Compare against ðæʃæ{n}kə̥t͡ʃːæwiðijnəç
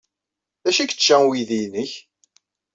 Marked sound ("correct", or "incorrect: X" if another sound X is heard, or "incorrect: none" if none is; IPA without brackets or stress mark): incorrect: none